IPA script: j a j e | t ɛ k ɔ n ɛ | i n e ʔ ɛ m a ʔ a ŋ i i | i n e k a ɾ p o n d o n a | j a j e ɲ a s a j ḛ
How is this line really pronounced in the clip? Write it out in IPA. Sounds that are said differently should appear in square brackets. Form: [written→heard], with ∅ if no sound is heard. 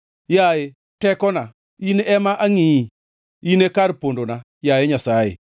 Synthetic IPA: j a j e | t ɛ k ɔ n [ɛ→a] | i n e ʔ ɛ m a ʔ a ŋ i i | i n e k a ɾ p o n d o n a | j a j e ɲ a s a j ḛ

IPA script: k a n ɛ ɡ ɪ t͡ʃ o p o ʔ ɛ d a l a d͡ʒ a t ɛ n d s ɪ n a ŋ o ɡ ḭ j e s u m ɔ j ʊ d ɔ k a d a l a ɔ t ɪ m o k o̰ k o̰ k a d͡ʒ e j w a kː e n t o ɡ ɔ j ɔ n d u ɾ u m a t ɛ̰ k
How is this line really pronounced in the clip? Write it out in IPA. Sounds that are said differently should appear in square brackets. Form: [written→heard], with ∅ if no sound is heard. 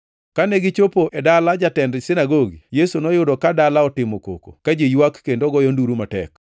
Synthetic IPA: k a n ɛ ɡ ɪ t͡ʃ o p o ʔ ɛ d a l a d͡ʒ a t ɛ n d s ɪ n a [ŋ→ɡ] o ɡ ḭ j e s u [m→n] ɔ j ʊ d ɔ k a d a l a ɔ t ɪ m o k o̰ k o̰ k a d͡ʒ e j w a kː e n [t→d] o ɡ ɔ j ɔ n d u ɾ u m a t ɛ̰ k

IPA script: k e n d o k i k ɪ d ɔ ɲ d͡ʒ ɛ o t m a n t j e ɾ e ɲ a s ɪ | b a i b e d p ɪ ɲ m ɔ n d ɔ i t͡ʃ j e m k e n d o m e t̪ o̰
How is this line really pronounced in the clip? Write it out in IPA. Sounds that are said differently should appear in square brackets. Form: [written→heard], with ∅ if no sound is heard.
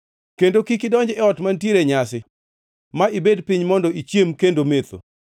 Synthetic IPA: k e n d o k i k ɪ d ɔ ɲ d͡ʒ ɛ [o→ɔ] t m a n t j e ɾ e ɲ a s ɪ | [b→m] a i b e d p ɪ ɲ m ɔ n d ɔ i t͡ʃ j e m k e n d o m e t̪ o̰

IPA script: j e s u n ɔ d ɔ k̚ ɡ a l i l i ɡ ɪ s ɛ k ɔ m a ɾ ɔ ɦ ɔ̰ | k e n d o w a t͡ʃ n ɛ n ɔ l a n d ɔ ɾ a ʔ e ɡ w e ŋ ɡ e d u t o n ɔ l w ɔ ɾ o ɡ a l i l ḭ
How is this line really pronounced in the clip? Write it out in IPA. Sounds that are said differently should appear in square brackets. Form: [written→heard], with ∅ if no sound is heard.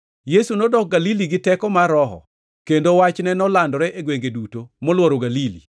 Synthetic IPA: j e s u n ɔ d ɔ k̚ ɡ a l i l i ɡ ɪ [s→t] ɛ k ɔ m a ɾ ɔ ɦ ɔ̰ | k e n d o w a t͡ʃ n ɛ n ɔ l a n d ɔ ɾ [a→ɛ] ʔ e ɡ w e ŋ ɡ e d u t o [n→m] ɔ l w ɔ ɾ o ɡ a l i l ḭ

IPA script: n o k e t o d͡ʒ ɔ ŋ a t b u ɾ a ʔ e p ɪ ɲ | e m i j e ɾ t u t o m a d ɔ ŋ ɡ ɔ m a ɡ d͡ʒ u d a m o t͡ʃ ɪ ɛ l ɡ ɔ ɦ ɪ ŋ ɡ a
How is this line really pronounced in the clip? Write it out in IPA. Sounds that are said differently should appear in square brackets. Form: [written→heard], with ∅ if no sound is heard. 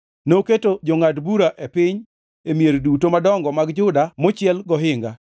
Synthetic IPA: n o k e t o d͡ʒ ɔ ŋ a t b u ɾ a ʔ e p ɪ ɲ | e m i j e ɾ [t→d] u t o m a d ɔ ŋ ɡ ɔ m a ɡ d͡ʒ [u→ʊ] d a m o t͡ʃ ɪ ɛ l ɡ ɔ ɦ ɪ ŋ ɡ a

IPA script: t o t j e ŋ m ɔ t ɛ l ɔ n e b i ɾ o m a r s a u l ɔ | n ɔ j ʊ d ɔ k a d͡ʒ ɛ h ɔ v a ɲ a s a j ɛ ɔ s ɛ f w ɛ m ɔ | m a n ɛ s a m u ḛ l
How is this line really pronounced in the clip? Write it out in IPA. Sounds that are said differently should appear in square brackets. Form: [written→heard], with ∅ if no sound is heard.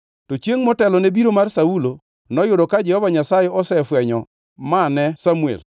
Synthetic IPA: t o [t→t͡ʃ] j e ŋ m ɔ t ɛ l ɔ n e b i ɾ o m a r s a u l [ɔ→o] | n ɔ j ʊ d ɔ k a d͡ʒ ɛ h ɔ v a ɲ a s a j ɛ ɔ s ɛ f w ɛ [m→ɲ] ɔ | m a n ɛ s a m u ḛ l

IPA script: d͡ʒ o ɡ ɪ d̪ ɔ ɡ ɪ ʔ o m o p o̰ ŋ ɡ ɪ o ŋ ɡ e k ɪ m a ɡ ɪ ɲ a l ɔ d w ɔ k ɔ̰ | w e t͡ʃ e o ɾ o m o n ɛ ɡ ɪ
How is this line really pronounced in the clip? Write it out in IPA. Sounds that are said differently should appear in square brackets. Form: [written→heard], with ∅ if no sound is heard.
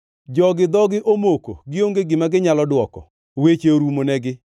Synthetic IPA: d͡ʒ [o→ɔ] ɡ ɪ d̪ ɔ ɡ ɪ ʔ o m o [p→k] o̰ [ŋ→∅] ɡ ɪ o ŋ ɡ e [k→ɡ] ɪ m a ɡ ɪ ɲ a l ɔ d w ɔ k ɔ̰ | w e t͡ʃ e o ɾ [o→u] m o n ɛ ɡ ɪ

